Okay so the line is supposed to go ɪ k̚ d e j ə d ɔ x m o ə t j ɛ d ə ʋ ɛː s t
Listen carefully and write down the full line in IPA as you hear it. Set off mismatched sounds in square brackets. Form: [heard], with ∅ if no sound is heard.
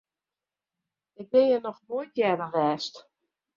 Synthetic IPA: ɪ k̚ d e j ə [n] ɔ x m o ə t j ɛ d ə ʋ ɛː s t